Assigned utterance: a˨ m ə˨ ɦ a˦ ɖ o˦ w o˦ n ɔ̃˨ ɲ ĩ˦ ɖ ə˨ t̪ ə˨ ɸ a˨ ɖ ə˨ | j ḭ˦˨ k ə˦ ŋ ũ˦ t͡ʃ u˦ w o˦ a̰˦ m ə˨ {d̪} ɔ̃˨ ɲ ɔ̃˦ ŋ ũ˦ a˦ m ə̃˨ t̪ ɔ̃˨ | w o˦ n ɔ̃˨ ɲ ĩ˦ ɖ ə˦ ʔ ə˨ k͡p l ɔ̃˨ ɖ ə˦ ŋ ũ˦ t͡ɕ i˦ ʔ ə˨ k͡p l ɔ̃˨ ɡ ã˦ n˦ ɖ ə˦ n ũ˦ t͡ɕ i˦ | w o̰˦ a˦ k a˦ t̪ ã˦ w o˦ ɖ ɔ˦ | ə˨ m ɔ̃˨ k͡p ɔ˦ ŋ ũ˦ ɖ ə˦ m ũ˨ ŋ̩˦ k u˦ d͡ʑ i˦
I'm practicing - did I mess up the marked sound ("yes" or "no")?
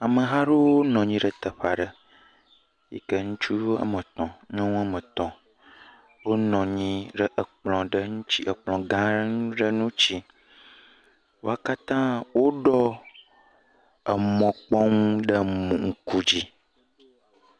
yes